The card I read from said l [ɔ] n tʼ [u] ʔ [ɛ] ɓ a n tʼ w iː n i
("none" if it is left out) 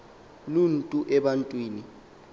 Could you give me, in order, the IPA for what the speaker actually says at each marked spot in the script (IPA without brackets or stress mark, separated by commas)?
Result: u, u, ɛ